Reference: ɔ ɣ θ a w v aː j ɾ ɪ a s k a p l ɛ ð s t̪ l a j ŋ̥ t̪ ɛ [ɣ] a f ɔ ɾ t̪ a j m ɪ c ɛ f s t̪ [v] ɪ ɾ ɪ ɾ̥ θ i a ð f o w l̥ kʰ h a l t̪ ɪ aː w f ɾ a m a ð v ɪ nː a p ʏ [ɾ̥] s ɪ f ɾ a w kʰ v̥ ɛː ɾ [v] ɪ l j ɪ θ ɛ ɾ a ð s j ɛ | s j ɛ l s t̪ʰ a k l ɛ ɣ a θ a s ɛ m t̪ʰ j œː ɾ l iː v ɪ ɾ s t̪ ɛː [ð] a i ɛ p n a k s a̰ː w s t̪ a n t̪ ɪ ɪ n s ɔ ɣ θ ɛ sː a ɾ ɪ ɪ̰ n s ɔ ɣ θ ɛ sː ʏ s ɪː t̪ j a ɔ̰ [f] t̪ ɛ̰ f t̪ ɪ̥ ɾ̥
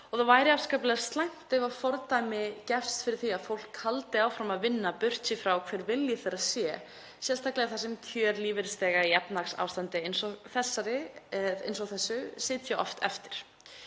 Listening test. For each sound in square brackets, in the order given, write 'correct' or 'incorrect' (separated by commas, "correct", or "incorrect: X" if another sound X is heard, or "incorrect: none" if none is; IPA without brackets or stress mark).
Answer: incorrect: v, incorrect: f, incorrect: r̥, correct, incorrect: ɣ, correct